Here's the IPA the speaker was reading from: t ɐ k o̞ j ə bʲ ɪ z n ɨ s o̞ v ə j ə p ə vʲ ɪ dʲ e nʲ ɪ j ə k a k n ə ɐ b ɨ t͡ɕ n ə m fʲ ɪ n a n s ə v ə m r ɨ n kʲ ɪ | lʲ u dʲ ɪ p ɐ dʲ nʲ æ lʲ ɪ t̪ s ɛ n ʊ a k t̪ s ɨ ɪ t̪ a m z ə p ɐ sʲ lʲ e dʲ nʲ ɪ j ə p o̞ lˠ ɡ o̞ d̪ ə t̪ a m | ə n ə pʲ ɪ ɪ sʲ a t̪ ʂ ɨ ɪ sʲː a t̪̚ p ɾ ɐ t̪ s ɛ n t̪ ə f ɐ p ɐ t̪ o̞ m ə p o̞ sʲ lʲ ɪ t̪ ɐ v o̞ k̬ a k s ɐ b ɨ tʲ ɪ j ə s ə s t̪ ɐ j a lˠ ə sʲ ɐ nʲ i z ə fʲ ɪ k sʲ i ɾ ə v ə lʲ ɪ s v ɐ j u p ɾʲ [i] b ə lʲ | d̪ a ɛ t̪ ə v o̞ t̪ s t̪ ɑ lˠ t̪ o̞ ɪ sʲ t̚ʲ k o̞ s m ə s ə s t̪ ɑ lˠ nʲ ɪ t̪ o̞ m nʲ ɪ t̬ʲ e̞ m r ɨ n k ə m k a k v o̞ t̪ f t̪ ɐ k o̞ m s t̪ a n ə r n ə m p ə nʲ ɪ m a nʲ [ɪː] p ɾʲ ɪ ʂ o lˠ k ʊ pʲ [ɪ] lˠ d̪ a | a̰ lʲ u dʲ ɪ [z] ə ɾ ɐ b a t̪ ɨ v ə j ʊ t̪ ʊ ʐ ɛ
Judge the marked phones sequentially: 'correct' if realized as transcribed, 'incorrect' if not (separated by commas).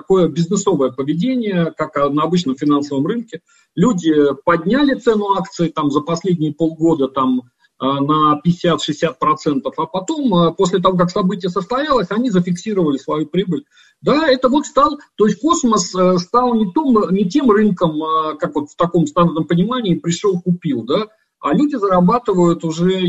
correct, correct, incorrect, correct